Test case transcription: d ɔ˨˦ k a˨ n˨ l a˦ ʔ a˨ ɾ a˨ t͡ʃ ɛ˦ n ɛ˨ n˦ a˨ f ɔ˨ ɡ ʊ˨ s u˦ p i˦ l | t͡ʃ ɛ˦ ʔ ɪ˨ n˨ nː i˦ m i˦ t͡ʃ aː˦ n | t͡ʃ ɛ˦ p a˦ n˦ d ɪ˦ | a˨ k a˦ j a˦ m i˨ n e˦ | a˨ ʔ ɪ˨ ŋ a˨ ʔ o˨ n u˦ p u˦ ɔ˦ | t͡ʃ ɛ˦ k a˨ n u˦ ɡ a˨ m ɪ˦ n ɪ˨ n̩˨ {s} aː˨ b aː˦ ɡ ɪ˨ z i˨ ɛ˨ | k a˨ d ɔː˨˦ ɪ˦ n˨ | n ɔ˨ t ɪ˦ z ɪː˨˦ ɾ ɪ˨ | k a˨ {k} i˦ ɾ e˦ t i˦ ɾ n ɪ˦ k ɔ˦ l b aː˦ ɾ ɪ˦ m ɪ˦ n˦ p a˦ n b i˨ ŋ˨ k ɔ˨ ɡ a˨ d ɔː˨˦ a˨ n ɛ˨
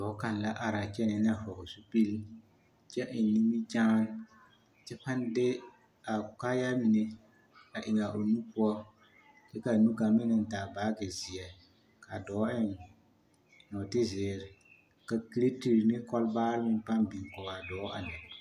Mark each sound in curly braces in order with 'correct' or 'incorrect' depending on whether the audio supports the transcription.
incorrect, correct

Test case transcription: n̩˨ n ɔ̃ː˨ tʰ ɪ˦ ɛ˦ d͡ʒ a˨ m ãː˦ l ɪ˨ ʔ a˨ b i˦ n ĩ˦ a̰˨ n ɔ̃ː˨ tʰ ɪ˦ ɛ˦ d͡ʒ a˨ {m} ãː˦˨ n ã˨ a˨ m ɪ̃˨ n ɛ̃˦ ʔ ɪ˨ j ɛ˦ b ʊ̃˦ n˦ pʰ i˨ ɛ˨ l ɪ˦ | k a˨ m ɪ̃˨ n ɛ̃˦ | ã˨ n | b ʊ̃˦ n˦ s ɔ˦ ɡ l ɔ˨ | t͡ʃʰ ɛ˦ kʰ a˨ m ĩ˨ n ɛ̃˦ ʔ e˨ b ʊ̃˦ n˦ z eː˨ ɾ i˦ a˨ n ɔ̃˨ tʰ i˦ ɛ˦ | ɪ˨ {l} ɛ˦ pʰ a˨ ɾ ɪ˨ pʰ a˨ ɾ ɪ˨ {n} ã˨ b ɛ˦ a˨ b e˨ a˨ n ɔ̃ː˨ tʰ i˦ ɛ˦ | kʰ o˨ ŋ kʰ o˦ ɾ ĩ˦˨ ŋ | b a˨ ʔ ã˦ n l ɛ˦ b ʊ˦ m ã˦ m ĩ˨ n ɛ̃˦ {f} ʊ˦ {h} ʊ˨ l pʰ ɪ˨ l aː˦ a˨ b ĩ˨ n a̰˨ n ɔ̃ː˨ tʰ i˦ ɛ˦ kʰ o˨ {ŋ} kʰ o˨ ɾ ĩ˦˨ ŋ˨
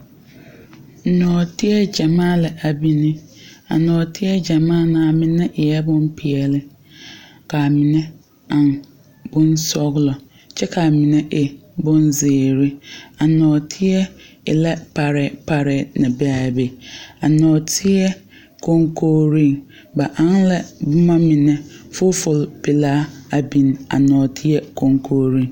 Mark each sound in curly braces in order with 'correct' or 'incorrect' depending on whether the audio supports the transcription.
correct, correct, correct, correct, incorrect, correct

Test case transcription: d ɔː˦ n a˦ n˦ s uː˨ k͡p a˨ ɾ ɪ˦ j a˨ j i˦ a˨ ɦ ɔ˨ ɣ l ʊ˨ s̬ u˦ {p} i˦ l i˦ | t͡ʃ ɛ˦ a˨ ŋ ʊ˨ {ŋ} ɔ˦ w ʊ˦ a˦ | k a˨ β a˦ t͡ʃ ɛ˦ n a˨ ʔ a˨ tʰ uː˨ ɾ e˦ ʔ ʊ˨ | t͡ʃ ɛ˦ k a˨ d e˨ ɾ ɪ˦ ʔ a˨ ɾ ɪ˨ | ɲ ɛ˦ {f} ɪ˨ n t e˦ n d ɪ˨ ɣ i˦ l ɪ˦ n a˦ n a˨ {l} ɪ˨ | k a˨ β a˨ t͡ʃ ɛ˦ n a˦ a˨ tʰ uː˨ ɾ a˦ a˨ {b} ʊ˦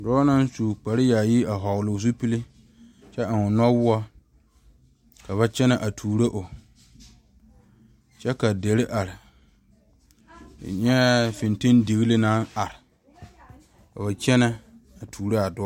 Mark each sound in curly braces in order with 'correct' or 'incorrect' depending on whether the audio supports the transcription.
correct, incorrect, correct, incorrect, incorrect

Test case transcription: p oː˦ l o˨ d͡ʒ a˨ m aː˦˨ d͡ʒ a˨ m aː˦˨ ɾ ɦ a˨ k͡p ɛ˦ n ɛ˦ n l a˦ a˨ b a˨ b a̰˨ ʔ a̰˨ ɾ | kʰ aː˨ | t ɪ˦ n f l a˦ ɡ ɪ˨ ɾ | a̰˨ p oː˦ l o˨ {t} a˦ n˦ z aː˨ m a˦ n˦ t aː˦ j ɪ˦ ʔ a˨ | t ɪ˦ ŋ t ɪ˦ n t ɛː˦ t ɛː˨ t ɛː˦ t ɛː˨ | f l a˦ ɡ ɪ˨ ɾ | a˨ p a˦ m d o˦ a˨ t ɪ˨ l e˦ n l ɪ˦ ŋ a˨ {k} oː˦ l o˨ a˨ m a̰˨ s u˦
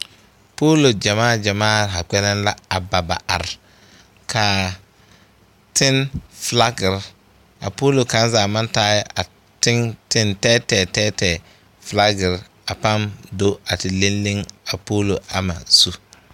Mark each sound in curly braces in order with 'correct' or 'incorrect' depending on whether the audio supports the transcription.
incorrect, incorrect

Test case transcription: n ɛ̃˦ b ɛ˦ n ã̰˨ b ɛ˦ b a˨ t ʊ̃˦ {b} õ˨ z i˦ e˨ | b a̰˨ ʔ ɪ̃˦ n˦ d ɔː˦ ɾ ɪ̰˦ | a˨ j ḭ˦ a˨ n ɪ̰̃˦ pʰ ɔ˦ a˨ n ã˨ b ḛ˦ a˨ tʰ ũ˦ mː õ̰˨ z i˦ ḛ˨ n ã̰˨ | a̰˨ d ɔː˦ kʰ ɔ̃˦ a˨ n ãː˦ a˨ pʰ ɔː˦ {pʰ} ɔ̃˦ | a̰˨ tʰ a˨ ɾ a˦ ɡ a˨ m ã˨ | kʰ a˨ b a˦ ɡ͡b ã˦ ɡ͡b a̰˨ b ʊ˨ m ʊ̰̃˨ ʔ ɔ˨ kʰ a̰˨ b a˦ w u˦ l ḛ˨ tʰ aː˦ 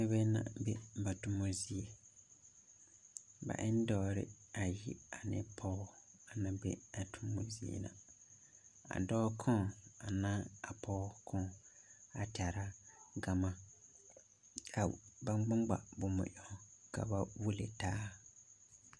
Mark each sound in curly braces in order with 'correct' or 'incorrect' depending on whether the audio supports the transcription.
incorrect, incorrect

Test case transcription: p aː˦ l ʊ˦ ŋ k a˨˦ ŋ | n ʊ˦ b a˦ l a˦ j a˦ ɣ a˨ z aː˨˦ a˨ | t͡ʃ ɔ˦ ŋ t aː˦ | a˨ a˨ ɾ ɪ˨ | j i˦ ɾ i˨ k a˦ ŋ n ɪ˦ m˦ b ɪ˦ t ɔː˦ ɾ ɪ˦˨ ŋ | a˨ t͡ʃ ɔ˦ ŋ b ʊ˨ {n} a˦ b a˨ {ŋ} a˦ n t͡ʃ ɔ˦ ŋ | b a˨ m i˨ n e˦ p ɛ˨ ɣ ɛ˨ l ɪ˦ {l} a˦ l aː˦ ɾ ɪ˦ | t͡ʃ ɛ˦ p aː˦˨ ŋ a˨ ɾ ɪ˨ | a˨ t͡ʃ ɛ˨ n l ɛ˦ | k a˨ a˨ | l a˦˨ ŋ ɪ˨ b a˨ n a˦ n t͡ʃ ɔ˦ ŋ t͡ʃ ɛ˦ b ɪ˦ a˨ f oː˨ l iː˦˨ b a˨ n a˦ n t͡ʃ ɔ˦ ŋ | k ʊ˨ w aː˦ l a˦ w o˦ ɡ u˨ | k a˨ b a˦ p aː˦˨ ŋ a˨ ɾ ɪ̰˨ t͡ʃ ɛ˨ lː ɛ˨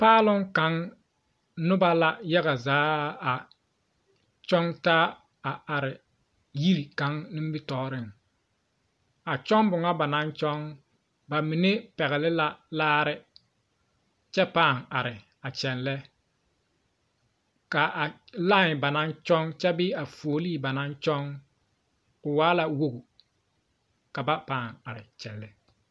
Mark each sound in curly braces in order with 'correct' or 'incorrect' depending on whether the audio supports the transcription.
incorrect, incorrect, correct

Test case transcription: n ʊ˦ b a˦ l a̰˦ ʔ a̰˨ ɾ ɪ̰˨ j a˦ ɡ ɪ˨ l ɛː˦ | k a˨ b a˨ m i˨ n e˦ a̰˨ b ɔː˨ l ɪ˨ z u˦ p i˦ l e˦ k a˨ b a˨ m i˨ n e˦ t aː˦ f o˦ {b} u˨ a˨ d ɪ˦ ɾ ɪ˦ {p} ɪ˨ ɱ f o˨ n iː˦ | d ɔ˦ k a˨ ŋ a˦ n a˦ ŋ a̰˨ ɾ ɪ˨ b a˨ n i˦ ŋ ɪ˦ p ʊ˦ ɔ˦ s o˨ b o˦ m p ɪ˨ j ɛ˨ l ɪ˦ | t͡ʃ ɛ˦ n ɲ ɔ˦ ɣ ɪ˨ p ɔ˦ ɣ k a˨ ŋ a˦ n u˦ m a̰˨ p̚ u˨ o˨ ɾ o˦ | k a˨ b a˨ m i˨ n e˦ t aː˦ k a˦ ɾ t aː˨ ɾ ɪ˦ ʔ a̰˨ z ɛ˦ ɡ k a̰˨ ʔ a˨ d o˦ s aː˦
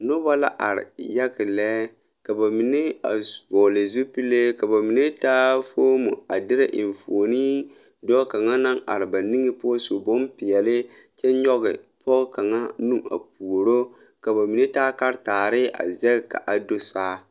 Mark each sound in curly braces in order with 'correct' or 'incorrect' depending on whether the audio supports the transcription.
incorrect, incorrect

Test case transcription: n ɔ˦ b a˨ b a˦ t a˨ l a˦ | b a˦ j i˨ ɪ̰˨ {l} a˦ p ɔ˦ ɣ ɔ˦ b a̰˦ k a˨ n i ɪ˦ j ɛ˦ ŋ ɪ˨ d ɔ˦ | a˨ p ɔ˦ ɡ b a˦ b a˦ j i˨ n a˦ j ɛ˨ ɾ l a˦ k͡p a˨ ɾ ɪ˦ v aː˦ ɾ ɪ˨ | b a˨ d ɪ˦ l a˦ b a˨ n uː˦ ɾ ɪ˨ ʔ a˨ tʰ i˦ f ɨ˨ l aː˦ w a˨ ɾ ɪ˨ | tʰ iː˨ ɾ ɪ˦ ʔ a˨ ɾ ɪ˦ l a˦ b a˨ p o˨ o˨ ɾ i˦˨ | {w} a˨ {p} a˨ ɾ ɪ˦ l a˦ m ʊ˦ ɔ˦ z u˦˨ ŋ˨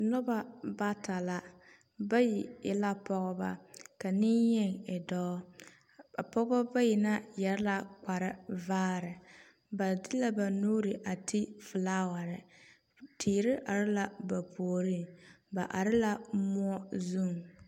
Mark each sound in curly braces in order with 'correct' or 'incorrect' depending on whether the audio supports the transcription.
correct, incorrect, incorrect

